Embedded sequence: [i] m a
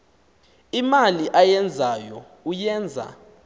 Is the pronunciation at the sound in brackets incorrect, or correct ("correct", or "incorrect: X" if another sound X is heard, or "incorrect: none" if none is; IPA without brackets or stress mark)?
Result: correct